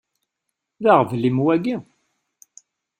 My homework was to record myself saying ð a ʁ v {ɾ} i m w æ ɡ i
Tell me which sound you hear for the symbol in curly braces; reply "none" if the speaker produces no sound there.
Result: l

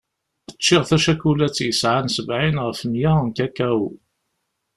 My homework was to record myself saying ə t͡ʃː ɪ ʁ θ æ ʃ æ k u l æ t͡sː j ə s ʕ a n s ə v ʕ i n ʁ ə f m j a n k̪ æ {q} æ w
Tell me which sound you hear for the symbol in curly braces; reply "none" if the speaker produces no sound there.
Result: k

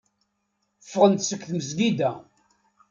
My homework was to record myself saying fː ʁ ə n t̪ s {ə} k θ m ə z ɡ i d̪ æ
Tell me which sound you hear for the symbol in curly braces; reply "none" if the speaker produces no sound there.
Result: ə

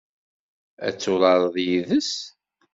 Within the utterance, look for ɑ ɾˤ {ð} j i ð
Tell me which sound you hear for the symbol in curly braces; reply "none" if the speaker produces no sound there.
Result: ð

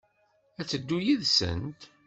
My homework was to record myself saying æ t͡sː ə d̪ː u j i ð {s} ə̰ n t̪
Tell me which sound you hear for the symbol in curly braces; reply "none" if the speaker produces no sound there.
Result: s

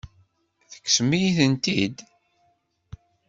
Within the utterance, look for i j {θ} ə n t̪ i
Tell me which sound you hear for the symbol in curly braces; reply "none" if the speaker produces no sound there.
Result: θ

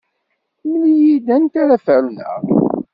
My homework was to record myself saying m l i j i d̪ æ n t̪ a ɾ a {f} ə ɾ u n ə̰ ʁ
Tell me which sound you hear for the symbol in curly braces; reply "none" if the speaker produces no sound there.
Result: f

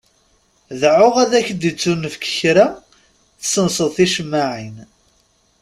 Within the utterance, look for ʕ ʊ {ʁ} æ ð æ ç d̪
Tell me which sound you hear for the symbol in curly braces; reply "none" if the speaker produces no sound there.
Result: ʁ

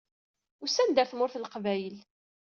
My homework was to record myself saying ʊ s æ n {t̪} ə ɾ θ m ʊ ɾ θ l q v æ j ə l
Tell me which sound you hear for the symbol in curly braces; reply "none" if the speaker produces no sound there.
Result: d̪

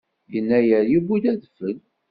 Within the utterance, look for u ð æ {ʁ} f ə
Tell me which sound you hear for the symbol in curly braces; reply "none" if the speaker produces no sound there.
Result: ð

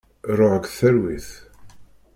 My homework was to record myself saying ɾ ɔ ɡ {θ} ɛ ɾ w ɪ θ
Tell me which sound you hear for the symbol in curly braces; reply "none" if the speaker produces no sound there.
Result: θ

